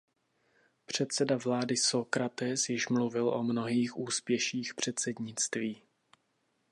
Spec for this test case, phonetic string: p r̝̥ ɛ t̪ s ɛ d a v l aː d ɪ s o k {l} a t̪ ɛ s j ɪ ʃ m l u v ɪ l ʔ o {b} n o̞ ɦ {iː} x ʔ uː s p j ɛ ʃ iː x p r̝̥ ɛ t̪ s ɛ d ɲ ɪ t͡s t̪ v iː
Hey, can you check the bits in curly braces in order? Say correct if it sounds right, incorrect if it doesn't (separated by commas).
incorrect, incorrect, correct